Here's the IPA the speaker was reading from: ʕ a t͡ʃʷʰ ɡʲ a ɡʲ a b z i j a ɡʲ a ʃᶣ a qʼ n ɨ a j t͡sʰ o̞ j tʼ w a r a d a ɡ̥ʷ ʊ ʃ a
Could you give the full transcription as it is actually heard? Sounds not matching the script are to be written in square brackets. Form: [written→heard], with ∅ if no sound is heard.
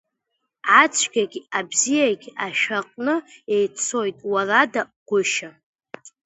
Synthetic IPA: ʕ a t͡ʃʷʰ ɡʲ a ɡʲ a b z i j a ɡʲ a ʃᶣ a qʼ n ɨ [a→e] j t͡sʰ o̞ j tʼ w a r a d a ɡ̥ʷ ʊ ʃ a